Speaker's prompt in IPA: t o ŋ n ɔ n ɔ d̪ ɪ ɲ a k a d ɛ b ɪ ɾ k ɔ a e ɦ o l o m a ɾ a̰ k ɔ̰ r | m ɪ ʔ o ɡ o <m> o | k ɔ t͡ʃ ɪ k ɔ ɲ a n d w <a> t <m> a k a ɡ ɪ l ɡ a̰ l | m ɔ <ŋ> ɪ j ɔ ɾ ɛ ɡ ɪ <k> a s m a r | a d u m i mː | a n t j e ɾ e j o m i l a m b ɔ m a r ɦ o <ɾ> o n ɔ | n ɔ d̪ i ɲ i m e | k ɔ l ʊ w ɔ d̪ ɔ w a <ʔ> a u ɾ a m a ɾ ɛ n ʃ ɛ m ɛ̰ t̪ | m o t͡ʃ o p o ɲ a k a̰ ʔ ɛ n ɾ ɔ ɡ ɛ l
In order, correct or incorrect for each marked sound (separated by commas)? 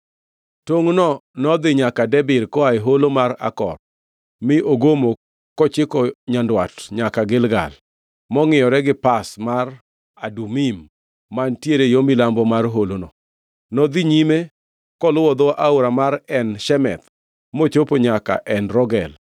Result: correct, correct, incorrect, correct, incorrect, incorrect, correct